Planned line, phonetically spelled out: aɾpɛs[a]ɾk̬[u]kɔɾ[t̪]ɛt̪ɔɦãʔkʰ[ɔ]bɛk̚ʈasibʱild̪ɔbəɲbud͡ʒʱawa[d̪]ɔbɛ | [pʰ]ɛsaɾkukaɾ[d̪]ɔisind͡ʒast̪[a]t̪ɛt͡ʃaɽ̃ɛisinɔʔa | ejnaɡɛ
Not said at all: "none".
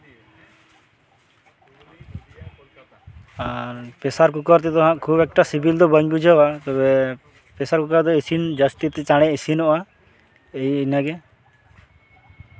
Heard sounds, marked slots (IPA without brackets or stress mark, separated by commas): a, u, t̪, u, t̪, p, d̪, i